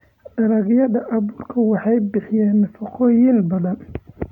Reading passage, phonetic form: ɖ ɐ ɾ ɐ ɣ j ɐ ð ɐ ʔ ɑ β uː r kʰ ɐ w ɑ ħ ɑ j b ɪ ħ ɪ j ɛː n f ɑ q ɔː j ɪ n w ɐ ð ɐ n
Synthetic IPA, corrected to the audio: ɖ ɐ ɾ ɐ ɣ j ɐ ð ɐ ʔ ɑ β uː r kʰ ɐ w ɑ ħ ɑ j b ɪ ħ ɪ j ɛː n f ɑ q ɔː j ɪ n b ɐ ð ɐ n